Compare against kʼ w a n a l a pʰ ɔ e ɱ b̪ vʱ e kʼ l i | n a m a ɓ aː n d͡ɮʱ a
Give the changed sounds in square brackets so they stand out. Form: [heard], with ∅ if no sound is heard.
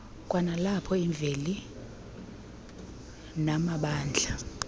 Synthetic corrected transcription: kʼ w a n a l a pʰ ɔ [i] ɱ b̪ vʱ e [∅] l i | n a m a ɓ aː n d͡ɮʱ a